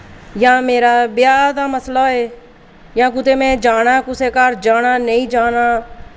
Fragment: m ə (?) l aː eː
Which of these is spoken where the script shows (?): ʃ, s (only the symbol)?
s